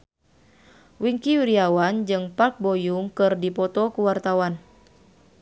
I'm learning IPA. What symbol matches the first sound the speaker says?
w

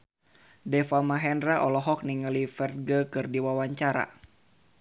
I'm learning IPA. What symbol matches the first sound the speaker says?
d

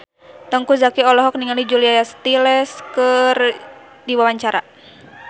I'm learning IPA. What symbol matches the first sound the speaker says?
t̪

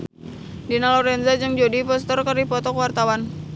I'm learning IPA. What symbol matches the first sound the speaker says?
d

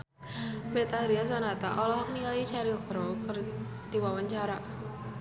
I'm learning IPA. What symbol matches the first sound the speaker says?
b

